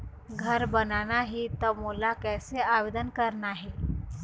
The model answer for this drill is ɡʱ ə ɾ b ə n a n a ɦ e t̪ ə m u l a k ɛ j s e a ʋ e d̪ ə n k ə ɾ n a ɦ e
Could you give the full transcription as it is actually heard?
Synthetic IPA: ɡʱ ə ɾ b ə n a n a ɦ i t̪ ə m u l a k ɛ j s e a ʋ e d̪ ə n k ə ɾ n a ɦ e